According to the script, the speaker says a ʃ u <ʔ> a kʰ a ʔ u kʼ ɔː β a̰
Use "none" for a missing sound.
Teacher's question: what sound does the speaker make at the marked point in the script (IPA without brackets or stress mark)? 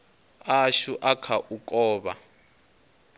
ʔ